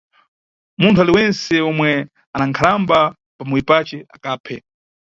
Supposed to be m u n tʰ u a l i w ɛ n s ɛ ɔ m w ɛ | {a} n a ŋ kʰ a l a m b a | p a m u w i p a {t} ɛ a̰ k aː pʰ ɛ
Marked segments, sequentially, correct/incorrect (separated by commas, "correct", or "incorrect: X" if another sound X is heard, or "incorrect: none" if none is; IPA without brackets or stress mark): correct, incorrect: t͡ʃ